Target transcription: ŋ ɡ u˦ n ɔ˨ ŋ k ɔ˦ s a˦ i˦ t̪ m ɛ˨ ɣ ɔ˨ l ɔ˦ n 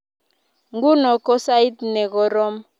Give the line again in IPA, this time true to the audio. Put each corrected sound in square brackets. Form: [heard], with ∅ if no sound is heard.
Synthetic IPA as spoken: ŋ ɡ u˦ n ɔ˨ [∅] k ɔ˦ s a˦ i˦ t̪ [n] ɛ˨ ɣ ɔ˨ [ɾ] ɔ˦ [m]